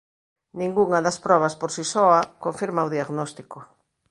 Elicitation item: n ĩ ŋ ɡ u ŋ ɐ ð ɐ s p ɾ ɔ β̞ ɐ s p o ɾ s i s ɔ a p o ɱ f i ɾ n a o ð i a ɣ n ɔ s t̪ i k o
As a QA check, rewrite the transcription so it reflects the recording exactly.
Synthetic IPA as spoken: n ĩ ŋ ɡ u ŋ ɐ ð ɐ s p ɾ ɔ β̞ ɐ s p o ɾ s i s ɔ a k o ɱ f i ɾ m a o ð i a ɣ n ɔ s t̪ i k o